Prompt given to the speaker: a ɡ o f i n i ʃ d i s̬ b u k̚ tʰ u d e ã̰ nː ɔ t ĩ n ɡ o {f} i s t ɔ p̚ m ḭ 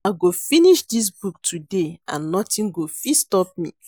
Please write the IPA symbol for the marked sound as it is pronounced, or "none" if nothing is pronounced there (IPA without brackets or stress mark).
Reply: f